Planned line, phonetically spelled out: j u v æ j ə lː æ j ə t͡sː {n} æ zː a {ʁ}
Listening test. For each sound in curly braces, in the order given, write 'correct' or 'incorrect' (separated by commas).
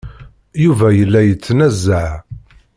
correct, incorrect